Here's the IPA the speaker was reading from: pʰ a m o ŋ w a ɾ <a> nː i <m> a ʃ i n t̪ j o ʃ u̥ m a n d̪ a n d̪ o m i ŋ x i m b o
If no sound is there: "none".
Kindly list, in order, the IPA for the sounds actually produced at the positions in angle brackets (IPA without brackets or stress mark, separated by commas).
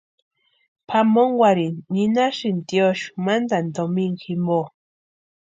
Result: i, n